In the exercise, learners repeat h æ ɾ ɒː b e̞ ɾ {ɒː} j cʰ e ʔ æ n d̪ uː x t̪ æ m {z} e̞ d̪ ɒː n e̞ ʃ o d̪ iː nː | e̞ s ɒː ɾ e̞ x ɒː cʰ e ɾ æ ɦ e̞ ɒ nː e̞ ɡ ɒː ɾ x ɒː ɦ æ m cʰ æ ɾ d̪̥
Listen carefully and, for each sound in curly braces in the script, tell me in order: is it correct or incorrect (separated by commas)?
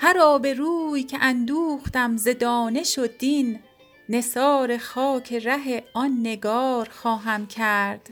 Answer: incorrect, correct